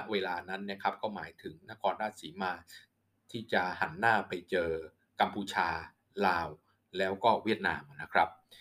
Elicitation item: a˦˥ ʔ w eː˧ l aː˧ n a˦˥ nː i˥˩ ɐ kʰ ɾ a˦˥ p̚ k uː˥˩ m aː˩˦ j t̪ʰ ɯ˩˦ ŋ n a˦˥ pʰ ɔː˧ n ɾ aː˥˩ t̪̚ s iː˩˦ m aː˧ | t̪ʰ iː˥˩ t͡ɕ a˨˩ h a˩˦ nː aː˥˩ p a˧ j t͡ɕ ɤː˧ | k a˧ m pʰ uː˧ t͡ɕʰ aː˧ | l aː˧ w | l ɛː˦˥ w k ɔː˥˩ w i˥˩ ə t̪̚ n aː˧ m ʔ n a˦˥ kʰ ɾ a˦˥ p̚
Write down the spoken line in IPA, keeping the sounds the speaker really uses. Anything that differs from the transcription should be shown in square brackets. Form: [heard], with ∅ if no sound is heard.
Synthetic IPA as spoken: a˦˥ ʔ w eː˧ l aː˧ n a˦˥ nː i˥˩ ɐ kʰ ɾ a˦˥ p̚ k [ɔː˥˩] m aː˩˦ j t̪ʰ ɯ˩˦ ŋ n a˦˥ [kʰ] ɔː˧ n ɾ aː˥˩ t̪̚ s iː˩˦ m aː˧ | t̪ʰ iː˥˩ t͡ɕ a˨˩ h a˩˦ nː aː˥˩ p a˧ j t͡ɕ ɤː˧ | k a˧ m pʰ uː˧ t͡ɕʰ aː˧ | l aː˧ w | l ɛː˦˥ w k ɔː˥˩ w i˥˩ ə t̪̚ n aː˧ m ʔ n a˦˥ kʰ ɾ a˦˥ p̚